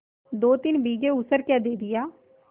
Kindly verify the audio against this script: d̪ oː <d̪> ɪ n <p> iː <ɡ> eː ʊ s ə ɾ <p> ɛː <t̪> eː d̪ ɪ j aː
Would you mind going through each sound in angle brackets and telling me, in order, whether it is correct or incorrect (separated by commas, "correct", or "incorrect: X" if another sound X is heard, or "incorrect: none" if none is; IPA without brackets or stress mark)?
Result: incorrect: t̪, incorrect: b, correct, incorrect: k, incorrect: d̪